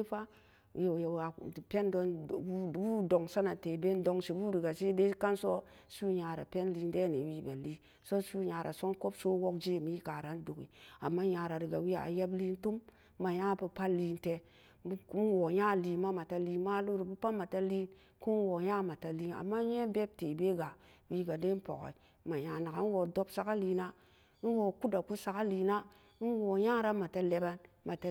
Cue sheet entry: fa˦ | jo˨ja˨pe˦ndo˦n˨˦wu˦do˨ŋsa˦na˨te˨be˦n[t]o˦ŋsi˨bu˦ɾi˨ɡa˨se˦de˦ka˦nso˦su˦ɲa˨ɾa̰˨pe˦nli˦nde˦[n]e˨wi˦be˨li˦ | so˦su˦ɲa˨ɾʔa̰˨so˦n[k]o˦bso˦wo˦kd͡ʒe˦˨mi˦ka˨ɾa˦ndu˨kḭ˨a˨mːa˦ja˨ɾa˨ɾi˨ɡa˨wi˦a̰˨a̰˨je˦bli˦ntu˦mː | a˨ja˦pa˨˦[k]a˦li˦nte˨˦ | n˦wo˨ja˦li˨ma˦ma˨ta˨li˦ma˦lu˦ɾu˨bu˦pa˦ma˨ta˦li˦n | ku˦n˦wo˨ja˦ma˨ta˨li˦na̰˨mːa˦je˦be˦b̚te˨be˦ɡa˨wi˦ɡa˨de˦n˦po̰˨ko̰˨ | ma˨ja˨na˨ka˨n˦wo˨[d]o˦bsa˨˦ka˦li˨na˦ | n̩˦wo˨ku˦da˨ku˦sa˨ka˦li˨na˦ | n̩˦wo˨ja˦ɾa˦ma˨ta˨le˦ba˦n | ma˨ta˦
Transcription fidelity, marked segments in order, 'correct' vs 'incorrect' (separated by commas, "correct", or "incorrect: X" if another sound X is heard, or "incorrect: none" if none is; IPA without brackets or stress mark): incorrect: d, correct, correct, incorrect: p, correct